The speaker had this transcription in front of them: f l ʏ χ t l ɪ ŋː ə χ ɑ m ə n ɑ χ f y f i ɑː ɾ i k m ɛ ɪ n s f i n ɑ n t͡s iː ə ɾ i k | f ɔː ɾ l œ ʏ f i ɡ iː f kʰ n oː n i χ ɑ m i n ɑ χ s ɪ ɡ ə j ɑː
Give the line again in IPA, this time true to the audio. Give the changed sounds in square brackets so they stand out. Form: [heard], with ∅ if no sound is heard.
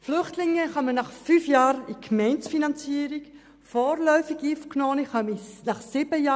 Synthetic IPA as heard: f l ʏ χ t l ɪ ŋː ə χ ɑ m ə n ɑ χ f y f [j] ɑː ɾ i k m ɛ ɪ n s f i n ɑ n t͡s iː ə ɾ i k | f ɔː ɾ l œ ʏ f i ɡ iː f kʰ n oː n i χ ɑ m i n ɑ χ s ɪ [b] ə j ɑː